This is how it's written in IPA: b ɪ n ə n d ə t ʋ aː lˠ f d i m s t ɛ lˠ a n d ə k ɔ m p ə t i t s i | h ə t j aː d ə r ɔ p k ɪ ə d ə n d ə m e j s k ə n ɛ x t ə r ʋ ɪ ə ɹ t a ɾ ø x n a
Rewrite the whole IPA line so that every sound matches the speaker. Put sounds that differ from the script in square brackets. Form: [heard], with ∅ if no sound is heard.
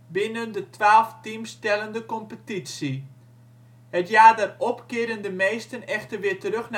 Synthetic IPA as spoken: b ɪ n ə n d ə t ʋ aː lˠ f [t] i m s t ɛ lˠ [ə] n d ə k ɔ m p ə t i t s i | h ə t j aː d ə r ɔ p k ɪ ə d ə n d ə m e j s [t] ə n ɛ x t ə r ʋ ɪ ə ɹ t [ə] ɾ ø x n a

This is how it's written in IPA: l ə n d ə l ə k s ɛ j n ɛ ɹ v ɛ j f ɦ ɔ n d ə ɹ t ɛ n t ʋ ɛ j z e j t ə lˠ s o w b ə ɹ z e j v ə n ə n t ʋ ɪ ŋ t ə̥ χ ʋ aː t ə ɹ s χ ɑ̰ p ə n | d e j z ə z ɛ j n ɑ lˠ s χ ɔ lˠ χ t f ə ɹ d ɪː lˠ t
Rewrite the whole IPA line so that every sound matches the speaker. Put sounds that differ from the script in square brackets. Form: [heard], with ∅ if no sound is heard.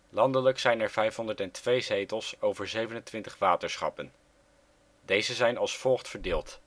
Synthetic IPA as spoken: l [ɑ] n d ə l ə k s ɛ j n ɛ ɹ v ɛ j f ɦ ɔ n d ə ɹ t ɛ n t ʋ [e] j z e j t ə lˠ s o w [v] ə ɹ z e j v ə n ə n t ʋ ɪ [n] t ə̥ χ ʋ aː t ə ɹ s χ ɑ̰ p ə n | d e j z ə z ɛ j n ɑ lˠ s [f] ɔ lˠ χ t f ə ɹ d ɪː lˠ t

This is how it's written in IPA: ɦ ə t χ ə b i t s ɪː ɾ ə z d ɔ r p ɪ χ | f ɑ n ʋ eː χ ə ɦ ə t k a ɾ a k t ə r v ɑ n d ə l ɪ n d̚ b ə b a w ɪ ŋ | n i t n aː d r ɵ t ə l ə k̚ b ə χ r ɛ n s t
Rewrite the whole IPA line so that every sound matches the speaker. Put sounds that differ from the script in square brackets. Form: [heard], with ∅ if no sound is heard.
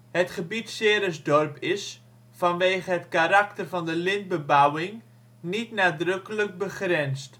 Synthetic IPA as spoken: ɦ ə t χ ə b i t s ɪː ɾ ə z d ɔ r p ɪ [s] | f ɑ n ʋ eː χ ə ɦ ə t k a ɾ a k t ə r v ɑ n d ə l ɪ n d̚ b ə b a w ɪ ŋ | n i t n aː d r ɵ [k] ə l ə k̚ b ə χ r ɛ n s t

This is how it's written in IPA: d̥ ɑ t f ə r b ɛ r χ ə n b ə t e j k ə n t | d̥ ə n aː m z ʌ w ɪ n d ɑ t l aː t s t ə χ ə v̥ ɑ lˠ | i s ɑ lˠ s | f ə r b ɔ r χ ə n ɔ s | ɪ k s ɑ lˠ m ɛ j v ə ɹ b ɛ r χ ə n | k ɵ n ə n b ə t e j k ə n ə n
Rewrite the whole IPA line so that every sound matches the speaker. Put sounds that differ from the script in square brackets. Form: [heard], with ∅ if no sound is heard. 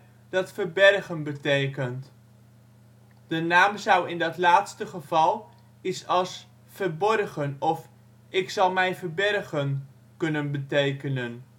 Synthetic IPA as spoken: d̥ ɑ t f ə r b ɛ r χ ə n b ə t e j k ə n t | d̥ ə n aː m z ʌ w ɪ n d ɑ t l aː t s t ə χ ə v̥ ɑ lˠ | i s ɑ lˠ s | f ə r b ɔ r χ ə n ɔ [f] | ɪ k s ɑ lˠ m ɛ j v ə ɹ b ɛ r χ ə n | k ɵ n ə n b ə t e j k ə n ə n

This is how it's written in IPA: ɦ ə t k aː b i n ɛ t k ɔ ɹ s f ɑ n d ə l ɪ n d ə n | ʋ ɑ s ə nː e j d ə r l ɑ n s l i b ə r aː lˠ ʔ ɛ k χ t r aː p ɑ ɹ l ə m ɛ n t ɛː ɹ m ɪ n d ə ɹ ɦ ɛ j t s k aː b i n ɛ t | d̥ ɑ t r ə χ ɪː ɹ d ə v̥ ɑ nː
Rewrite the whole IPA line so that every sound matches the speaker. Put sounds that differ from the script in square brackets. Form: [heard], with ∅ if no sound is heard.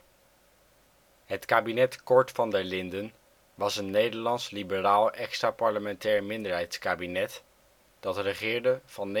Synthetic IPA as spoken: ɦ ə t k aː b i n ɛ t k ɔ ɹ [t] f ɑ n d ə l ɪ n d ə n | ʋ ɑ s ə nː e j d ə [ɹ] l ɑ n s l i b ə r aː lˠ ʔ ɛ k [s] t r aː p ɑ ɹ l ə m ɛ n t ɛː ɹ m ɪ n d ə ɹ ɦ ɛ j t s k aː b i n ɛ t | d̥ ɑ t r ə χ ɪː ɹ d ə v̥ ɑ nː

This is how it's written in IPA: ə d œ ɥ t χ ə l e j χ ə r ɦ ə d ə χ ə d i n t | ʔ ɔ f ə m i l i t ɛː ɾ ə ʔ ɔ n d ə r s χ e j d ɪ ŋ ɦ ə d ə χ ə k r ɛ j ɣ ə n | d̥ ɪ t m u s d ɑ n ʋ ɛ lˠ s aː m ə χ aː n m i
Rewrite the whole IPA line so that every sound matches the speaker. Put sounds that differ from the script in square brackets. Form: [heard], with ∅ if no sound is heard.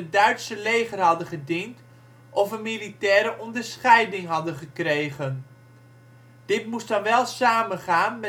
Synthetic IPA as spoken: ə d œ ɥ t [s] ə l e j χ ə r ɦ [ɑ] d ə χ ə d i n t | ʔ ɔ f ə m i l i t ɛː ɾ ə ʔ ɔ n d ə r s χ [ɛ] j d ɪ ŋ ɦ [ɑ] d ə χ ə k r [e] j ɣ ə n | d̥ ɪ t m u s d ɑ n ʋ ɛ lˠ s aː m ə χ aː n m [ɛ]

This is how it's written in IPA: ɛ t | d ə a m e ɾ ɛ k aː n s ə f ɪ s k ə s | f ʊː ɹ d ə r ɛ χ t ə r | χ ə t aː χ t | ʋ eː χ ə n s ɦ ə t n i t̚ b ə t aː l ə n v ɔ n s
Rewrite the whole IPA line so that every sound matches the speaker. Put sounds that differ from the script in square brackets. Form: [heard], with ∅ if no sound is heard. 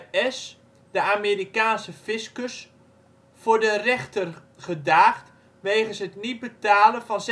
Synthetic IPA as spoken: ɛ [s] | d ə a m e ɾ [i] k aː n s ə f ɪ s k ə s | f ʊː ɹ d ə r ɛ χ t ə r | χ ə [d] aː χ t | ʋ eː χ ə n s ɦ ə t n i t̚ b ə t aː l ə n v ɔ n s

